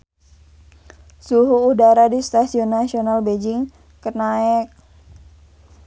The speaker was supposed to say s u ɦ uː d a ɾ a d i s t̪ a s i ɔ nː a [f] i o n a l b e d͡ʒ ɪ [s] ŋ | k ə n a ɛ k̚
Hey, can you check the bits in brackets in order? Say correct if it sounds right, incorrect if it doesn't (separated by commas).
incorrect, incorrect